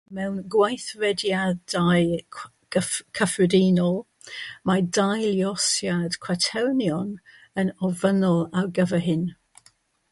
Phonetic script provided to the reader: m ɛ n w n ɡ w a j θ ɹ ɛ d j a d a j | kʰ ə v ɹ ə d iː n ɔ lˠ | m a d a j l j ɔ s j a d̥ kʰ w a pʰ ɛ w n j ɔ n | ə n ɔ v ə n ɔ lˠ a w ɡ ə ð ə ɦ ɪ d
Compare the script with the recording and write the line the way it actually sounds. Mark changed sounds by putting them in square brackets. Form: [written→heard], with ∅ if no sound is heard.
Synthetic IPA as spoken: m ɛ [n→∅] w n ɡ w a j θ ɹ ɛ d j a d a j | kʰ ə [v→f] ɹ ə d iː n ɔ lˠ | m a d a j l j ɔ s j a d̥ kʰ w a [pʰ→tʰ] ɛ w n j ɔ n | ə n ɔ v ə n ɔ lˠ a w ɡ ə [ð→v] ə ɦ ɪ [d→n]